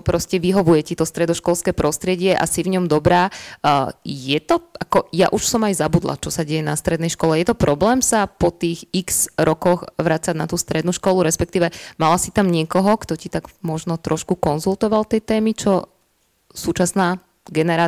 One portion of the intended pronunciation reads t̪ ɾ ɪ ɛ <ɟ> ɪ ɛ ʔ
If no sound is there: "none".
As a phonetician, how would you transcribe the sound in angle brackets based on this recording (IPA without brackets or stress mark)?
ɟ